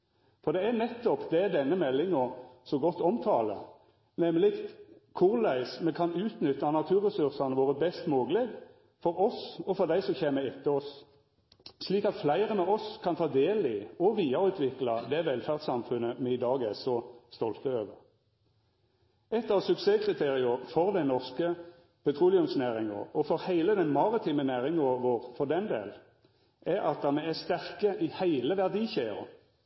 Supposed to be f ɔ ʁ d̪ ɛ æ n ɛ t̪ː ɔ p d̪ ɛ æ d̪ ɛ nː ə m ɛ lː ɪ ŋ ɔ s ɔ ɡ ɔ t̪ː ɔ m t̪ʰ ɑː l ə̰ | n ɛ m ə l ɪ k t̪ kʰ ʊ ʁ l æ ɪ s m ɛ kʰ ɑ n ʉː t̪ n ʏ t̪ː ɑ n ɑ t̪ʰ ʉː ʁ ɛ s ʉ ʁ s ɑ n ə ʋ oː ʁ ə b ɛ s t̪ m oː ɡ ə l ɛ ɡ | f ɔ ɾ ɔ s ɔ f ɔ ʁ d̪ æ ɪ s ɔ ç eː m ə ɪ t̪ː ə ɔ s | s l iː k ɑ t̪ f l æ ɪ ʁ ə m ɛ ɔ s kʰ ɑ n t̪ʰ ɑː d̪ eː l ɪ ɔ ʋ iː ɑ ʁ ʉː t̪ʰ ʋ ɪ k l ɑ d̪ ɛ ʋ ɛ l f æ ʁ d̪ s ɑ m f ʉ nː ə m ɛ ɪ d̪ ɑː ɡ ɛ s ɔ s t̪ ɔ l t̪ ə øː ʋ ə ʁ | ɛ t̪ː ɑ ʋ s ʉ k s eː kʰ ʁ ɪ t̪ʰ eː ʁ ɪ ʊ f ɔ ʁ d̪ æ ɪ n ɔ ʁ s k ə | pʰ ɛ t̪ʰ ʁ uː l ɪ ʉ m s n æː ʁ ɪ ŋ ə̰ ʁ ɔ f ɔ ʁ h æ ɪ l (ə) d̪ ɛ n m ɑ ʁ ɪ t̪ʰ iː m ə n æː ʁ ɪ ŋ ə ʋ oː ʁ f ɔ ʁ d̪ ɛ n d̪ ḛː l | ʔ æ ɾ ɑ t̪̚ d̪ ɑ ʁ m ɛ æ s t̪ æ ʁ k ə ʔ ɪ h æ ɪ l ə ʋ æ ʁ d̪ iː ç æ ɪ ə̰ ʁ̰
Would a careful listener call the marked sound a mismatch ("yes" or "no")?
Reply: no